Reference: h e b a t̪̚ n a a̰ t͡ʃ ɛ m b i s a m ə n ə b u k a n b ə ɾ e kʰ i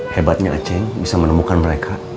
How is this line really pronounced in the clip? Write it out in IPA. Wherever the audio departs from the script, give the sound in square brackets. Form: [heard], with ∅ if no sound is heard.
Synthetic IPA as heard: h e b a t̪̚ [ɲ] a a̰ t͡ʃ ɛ [ŋ] b i s a m ə n ə [m] u k a n [m] ə ɾ e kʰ [a]

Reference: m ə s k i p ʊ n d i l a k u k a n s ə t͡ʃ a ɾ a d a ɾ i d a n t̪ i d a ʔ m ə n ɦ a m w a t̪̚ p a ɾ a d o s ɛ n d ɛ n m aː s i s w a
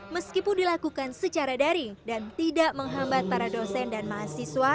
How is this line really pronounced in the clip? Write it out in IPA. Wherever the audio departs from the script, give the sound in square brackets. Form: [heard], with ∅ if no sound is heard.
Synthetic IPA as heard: m ə s k i p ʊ n d i l a k u k a n s ə t͡ʃ a ɾ a d a ɾ i d a n t̪ i d a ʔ m ə [ŋ] ɦ a m [b] a t̪̚ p a ɾ a d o s ɛ n d [a] n m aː s i s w a

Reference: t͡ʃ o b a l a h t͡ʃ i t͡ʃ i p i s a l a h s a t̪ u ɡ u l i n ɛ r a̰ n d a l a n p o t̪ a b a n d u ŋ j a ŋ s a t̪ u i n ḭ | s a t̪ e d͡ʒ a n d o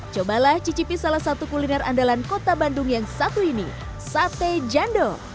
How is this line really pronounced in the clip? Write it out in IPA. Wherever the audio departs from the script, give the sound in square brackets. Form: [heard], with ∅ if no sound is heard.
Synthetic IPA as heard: t͡ʃ o b a l a h t͡ʃ i t͡ʃ i p i s a l a h s a t̪ u [k] u l i n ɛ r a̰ n d a l a n [k] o t̪ a b a n d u ŋ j a ŋ s a t̪ u i n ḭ | s a t̪ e d͡ʒ a n d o

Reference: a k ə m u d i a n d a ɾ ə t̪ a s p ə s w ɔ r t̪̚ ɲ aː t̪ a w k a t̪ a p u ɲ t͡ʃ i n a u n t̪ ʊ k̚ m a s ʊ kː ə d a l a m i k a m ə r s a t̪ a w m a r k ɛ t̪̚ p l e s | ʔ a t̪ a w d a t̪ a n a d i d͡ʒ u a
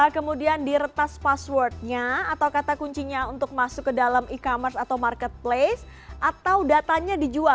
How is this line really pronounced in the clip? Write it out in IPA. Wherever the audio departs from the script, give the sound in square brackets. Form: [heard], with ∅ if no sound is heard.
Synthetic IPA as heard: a k ə m u d i a n d [i] ɾ ə t̪ a s p [a] s w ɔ r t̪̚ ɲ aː t̪ a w k a t̪ a [k] u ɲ t͡ʃ i [ɲ] a u n t̪ ʊ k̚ m a s ʊ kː ə d a l a m i k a m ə r s a t̪ a w m a r k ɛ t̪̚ p l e s | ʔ a t̪ a w d a t̪ a [ɲ] a d i d͡ʒ u a

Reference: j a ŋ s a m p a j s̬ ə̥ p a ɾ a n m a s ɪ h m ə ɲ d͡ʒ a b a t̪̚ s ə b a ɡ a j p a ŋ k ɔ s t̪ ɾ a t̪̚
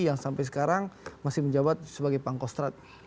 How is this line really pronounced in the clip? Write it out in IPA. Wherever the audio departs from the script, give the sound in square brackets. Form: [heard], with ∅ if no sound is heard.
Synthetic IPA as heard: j a ŋ s a m p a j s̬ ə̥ [k] a ɾ a [ŋ] m a s ɪ h m ə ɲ d͡ʒ a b a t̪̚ s ə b a ɡ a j p a ŋ k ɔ s t̪ ɾ a t̪̚

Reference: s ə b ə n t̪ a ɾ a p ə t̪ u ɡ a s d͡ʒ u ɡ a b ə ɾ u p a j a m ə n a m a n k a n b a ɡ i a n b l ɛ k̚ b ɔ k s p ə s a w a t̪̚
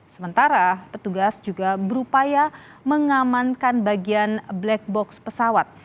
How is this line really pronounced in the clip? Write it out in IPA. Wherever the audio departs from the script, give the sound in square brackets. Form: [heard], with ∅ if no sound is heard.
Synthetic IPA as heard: s ə [m] ə n t̪ a ɾ a p ə t̪ u ɡ a s d͡ʒ u ɡ a b ə ɾ u p a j a m ə [ŋ] a m a n k a n b a ɡ i a n b l ɛ k̚ b ɔ k s p ə s a w a t̪̚

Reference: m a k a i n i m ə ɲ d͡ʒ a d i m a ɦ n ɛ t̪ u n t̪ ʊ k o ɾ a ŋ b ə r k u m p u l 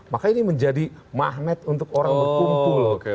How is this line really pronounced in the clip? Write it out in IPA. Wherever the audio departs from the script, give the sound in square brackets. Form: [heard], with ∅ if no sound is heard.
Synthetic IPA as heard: m a k a i n i m ə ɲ d͡ʒ a d i m a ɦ n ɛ t̪ u n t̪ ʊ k o ɾ a ŋ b ə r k u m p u l

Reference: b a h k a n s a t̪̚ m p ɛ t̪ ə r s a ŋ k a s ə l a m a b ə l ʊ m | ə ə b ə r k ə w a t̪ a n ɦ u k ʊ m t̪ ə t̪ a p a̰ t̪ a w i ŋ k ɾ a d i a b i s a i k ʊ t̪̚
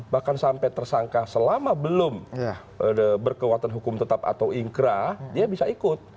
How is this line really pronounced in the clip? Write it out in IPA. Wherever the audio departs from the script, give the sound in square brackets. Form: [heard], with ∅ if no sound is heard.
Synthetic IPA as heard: b a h k a n s a [∅] m p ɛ t̪ ə r s a ŋ k a s ə l a m a b ə l ʊ m | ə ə b ə r k ə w a t̪ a n ɦ u k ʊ m t̪ ə t̪ a p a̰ t̪ a w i ŋ k ɾ a d i a b i s a i k ʊ t̪̚

